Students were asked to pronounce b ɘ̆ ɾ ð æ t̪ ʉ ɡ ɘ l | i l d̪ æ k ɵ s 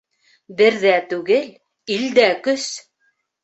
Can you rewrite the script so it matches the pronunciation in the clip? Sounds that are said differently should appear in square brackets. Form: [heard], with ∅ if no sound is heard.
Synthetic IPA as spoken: b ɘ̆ ɾ ð æ t̪ ʉ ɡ ɘ l | i l d̪ æ k ɵ s

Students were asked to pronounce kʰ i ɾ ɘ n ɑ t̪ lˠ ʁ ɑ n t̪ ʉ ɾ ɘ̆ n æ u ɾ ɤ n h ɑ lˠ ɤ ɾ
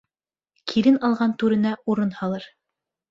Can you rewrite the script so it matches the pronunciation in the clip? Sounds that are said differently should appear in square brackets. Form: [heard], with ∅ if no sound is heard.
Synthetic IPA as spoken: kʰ i ɾ ɘ n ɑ [∅] lˠ ʁ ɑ n t̪ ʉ ɾ ɘ̆ n æ u ɾ ɤ n h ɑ lˠ ɤ ɾ

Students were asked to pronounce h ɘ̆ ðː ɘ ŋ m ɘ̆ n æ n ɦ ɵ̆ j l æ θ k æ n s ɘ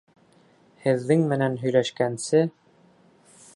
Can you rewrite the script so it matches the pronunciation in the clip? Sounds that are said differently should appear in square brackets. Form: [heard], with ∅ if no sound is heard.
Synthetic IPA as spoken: h ɘ̆ ðː ɘ ŋ m ɘ̆ n æ n ɦ ɵ̆ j l æ [ʃ] k æ n s ɘ

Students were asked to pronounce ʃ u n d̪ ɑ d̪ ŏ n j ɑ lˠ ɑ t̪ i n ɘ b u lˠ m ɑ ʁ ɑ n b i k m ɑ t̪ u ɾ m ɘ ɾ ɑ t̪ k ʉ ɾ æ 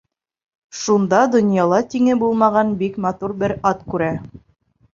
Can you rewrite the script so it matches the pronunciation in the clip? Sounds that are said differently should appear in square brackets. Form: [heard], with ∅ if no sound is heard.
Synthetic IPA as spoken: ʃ u n d̪ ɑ d̪ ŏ n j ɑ lˠ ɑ t̪ i [ŋ] ɘ b u lˠ m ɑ ʁ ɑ n b i k m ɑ t̪ u ɾ [b] ɘ ɾ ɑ t̪ k ʉ ɾ æ

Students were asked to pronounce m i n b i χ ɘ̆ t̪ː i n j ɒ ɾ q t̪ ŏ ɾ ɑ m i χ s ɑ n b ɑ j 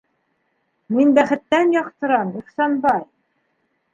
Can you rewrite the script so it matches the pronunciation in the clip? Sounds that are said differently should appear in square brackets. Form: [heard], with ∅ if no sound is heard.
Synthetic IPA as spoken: m i n b [æ] χ ɘ̆ t̪ː [æ] n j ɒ [∅] q t̪ [ɤ̆] ɾ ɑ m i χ s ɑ n b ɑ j

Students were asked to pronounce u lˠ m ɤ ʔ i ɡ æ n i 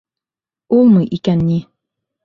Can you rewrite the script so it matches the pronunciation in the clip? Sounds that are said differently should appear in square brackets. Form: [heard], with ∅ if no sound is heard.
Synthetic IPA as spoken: u lˠ m ɤ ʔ i [k] æ [nː] i

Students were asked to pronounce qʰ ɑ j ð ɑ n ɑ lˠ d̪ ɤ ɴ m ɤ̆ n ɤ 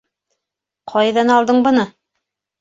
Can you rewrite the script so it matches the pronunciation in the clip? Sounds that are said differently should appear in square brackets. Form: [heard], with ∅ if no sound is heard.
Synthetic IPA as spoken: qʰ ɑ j ð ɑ n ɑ lˠ d̪ ɤ ɴ [b] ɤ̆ n ɤ

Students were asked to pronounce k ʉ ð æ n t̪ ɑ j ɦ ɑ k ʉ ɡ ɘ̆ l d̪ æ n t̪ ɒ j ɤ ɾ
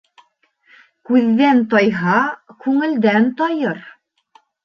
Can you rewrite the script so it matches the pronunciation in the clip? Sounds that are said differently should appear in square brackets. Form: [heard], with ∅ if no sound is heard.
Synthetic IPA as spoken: k ʉ [ðː] æ n t̪ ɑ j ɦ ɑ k ʉ [ŋ] ɘ̆ l d̪ æ n t̪ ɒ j ɤ ɾ

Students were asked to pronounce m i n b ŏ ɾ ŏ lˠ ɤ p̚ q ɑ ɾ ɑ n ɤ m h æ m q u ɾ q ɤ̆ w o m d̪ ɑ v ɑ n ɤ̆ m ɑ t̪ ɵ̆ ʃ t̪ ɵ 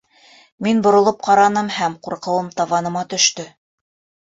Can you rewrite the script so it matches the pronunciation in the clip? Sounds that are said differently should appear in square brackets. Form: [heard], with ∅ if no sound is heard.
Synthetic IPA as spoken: m i n b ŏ ɾ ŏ lˠ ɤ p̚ q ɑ ɾ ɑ n ɤ m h æ m q u ɾ q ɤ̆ w [ɤ] m [t̪] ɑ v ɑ n ɤ̆ m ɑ t̪ ɵ̆ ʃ t̪ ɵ

